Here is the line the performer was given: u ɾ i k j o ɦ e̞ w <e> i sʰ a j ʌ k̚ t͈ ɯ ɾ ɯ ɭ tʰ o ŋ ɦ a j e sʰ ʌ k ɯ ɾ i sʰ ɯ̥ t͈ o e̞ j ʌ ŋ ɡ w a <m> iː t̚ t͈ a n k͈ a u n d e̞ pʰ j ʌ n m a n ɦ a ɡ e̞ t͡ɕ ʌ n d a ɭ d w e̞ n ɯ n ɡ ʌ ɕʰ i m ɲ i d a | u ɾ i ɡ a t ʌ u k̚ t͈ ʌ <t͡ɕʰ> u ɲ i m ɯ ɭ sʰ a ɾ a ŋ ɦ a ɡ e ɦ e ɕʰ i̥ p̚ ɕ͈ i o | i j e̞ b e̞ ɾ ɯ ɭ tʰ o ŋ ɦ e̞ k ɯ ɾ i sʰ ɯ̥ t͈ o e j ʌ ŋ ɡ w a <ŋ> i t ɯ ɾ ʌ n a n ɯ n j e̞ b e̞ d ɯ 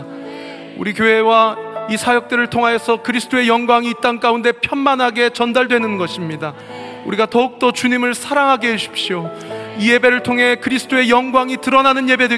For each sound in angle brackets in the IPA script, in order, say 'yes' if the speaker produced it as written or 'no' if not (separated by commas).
no, no, no, yes